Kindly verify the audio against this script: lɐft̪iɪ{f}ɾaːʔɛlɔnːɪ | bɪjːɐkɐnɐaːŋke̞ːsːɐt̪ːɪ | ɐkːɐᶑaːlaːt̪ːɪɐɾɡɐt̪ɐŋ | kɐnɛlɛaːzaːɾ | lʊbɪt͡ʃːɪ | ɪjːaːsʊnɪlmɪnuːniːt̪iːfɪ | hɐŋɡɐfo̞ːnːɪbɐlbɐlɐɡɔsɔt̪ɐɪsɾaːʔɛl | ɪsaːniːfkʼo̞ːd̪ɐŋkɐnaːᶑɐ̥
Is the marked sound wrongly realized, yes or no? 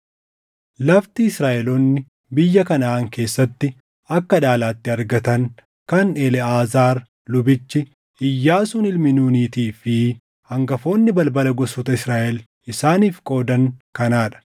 yes